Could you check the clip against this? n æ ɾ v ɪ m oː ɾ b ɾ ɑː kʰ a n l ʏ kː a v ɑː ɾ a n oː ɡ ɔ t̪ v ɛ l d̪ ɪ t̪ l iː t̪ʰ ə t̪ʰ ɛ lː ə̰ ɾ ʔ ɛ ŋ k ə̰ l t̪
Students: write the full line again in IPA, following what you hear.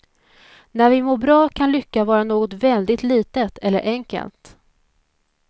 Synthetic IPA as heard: n æ ɾ v ɪ m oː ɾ b ɾ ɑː kʰ a n l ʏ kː a v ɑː ɾ a n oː ɡ ɔ t̪ v ɛ l d̪ ɪ t̪ l iː t̪ ə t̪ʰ ɛ lː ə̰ ɾ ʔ ɛ ŋ k ə̰ l t̪